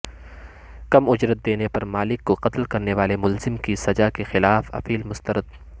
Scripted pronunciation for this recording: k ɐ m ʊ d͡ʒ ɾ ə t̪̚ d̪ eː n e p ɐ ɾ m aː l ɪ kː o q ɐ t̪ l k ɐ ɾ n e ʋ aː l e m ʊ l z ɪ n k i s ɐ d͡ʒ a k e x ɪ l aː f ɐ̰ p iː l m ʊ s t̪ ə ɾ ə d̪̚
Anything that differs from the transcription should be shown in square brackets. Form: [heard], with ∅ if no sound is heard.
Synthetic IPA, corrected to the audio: k ɐ m ʊ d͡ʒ ɾ ə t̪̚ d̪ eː n e p ɐ ɾ m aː l ɪ kː o q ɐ t̪ l k ɐ ɾ n e ʋ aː l e m ʊ l z ɪ [m] k i s ɐ d͡ʒ a k e x ɪ l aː f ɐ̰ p iː l m ʊ s t̪ ə ɾ ə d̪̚

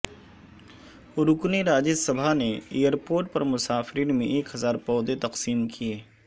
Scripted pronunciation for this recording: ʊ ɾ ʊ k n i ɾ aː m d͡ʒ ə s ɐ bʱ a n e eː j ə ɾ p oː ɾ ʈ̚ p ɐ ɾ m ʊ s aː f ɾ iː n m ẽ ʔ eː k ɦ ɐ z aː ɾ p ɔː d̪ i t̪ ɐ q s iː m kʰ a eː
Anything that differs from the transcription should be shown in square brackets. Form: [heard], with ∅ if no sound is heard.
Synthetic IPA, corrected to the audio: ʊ ɾ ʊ k n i ɾ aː [∅] d͡ʒ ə s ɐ bʱ a n e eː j ə ɾ p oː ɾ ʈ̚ p ɐ ɾ m ʊ s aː f ɾ iː n m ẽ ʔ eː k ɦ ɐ z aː ɾ p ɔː d̪ [e] t̪ ɐ q s iː m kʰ [i] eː

